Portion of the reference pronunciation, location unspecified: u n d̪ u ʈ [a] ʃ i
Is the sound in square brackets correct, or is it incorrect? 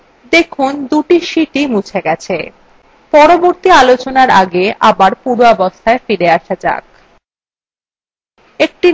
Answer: incorrect